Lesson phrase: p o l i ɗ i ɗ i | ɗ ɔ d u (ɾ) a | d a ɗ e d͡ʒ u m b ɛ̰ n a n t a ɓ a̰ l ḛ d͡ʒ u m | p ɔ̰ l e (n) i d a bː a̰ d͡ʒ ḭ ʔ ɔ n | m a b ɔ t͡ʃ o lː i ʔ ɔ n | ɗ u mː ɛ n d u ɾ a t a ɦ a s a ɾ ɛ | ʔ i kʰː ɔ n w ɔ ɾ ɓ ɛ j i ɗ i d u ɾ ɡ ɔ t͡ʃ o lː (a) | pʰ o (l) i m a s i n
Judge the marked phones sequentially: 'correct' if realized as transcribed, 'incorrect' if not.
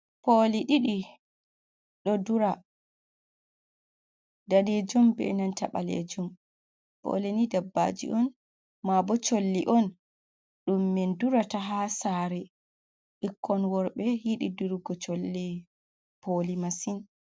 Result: correct, correct, incorrect, correct

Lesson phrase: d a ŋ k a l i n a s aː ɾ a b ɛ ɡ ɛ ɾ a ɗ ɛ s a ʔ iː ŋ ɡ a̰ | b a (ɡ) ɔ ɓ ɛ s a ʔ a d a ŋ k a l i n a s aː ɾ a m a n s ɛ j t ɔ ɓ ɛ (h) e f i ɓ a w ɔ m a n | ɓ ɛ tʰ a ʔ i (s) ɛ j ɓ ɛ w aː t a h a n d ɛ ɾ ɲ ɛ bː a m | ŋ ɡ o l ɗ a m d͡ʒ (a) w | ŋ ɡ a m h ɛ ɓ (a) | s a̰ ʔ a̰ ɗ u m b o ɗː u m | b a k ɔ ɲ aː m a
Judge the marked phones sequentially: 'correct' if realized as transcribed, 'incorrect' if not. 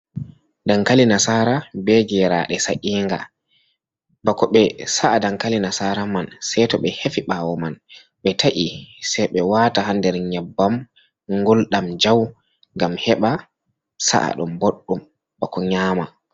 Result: incorrect, correct, correct, correct, correct

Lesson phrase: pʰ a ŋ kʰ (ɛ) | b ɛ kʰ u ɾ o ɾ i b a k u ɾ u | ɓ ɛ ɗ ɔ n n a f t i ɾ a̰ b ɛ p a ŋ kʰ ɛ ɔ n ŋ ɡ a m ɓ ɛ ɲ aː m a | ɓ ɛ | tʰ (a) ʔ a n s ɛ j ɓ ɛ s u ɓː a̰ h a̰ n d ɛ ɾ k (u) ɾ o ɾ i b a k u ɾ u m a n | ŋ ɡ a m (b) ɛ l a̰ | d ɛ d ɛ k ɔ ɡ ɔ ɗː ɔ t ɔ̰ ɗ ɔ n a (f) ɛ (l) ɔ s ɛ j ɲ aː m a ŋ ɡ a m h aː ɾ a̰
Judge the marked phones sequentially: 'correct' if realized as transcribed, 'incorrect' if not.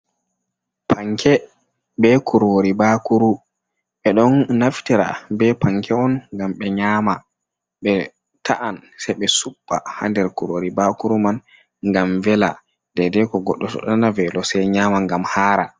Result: correct, correct, correct, incorrect, incorrect, correct

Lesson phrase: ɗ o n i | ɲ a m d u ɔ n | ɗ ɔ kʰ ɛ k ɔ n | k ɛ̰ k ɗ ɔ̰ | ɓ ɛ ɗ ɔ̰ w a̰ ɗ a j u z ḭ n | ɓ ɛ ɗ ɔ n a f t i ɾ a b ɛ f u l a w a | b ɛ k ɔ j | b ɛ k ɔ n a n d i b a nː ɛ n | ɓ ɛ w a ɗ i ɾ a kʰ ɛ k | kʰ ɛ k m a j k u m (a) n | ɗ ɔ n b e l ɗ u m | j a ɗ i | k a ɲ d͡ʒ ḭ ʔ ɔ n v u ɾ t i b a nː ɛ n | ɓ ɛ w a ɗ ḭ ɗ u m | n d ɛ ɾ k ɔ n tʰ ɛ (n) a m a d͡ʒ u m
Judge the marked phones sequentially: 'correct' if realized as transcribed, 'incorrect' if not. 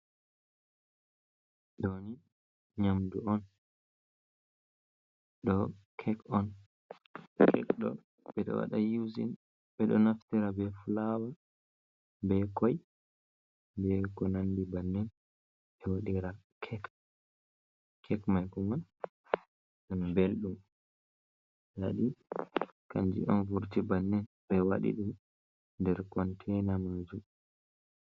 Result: correct, correct

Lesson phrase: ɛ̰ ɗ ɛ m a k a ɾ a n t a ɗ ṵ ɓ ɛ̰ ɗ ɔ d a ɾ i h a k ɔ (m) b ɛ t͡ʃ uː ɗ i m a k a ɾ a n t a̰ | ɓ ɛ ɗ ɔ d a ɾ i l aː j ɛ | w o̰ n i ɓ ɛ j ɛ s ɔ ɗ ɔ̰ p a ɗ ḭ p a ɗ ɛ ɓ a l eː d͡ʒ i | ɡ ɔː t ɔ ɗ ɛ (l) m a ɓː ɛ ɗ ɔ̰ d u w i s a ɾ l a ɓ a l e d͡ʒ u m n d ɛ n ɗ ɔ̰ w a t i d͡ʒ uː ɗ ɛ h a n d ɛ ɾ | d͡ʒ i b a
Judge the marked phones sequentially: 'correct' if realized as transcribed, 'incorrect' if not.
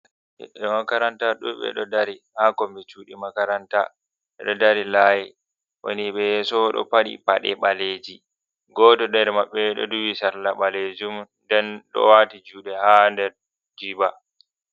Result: correct, incorrect

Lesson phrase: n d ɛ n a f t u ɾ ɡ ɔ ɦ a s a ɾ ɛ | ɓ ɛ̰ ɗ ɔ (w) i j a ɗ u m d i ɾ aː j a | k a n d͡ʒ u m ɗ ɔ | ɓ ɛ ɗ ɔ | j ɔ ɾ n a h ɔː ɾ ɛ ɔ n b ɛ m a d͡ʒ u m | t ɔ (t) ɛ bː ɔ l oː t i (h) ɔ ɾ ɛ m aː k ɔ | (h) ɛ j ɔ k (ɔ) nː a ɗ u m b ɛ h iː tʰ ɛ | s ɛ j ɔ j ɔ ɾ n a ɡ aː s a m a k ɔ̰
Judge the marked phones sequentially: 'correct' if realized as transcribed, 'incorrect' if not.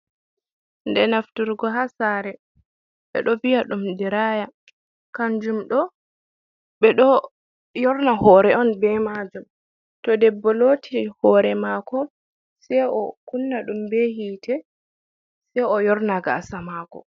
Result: incorrect, incorrect, correct, incorrect, incorrect

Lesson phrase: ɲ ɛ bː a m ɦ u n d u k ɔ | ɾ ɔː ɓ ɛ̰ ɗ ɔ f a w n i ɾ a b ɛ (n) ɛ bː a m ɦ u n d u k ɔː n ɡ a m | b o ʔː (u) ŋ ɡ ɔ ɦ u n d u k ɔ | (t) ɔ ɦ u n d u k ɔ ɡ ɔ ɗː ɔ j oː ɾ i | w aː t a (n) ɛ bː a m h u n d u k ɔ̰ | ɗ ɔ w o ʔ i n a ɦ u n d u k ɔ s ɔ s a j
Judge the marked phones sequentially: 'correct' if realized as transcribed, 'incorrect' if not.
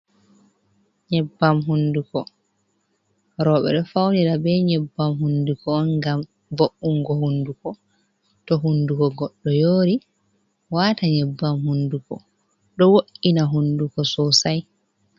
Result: incorrect, correct, correct, incorrect

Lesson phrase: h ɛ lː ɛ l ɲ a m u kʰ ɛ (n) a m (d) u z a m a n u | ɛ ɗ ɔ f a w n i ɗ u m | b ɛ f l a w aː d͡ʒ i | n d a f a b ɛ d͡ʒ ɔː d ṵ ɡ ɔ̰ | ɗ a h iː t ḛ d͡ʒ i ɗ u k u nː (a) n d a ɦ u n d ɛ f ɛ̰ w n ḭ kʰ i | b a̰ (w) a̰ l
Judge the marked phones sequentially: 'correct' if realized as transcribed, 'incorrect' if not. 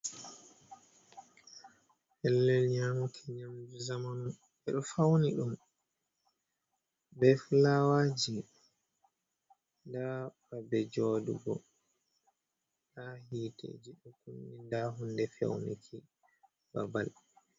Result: incorrect, incorrect, incorrect, incorrect

